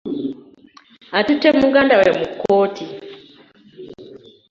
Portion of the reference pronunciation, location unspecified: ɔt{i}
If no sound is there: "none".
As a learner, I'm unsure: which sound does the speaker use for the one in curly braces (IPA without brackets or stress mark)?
i